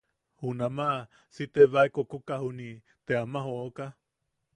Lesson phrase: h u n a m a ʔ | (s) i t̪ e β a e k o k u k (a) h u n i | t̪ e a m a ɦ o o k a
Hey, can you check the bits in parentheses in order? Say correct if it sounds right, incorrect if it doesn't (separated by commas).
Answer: correct, correct